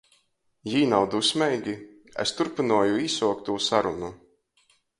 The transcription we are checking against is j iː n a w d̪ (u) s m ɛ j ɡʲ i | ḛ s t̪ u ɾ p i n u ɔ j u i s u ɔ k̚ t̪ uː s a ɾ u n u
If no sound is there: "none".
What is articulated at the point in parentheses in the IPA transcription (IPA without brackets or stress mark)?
u